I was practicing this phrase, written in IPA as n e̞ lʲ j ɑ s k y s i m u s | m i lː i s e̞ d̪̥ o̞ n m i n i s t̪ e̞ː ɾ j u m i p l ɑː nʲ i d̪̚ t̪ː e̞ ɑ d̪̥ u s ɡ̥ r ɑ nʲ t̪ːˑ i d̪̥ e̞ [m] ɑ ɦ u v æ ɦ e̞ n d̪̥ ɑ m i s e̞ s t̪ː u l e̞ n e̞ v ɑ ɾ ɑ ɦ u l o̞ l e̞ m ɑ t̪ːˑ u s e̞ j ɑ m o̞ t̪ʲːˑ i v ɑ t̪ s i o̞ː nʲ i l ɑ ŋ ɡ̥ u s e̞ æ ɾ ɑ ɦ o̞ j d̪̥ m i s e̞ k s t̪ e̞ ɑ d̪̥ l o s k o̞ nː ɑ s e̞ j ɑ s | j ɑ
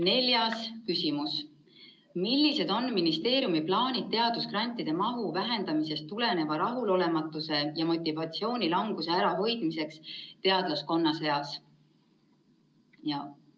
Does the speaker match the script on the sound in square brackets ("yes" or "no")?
yes